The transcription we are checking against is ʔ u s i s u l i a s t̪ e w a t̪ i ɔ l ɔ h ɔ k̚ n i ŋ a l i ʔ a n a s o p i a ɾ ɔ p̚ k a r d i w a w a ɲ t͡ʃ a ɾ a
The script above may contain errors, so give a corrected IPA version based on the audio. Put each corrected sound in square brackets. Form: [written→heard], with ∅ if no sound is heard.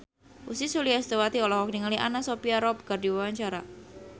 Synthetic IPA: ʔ u s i s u l i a s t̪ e w a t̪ i ɔ l ɔ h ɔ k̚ n i ŋ a l i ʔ a n a s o p i a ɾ ɔ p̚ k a r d i w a w a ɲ t͡ʃ a ɾ a